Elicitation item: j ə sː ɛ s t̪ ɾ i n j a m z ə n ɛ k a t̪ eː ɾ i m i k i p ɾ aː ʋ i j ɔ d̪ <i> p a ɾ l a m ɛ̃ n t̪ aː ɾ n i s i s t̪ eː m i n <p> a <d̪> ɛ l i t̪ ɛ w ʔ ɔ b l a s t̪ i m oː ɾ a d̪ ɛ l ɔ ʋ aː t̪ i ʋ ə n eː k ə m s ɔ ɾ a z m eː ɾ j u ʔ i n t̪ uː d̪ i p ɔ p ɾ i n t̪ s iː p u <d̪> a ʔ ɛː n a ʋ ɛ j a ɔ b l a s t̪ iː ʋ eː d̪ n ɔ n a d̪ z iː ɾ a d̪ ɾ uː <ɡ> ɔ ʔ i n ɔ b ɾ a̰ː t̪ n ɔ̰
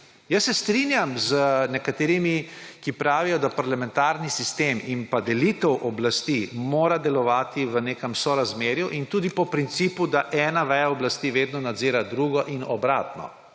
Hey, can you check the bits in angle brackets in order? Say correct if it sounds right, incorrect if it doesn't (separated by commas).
incorrect, correct, correct, correct, correct